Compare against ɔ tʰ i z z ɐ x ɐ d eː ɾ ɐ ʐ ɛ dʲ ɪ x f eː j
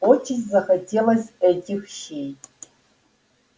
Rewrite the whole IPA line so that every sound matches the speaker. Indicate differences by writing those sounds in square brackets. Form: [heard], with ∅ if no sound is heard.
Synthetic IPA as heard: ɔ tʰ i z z ɐ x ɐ d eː [l] ɐ [z] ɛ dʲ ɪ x [ʃ] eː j